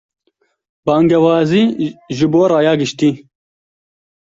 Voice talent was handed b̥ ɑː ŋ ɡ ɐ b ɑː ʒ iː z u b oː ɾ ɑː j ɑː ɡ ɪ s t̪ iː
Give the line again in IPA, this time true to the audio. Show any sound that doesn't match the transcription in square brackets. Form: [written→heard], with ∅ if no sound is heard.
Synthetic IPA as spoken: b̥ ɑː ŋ ɡ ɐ [b→w] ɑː [ʒ→z] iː [z→ʒ] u b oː ɾ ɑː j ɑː ɡ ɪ [s→ʃ] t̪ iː